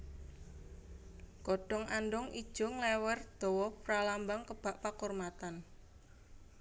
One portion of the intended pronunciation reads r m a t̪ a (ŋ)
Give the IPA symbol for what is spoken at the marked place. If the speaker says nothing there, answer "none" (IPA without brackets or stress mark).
n